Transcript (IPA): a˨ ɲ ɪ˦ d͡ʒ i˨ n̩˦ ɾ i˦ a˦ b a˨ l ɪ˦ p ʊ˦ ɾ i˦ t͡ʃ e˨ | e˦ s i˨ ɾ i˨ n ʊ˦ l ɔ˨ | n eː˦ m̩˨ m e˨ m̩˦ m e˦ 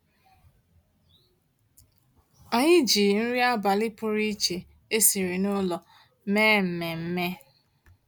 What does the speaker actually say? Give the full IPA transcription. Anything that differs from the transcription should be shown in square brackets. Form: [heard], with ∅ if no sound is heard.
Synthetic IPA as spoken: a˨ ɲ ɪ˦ d͡ʒ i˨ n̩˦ ɾ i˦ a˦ b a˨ l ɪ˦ p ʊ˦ ɾ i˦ t͡ʃ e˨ | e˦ s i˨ ɾ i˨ n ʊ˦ l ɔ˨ | [m] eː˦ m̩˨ m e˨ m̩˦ m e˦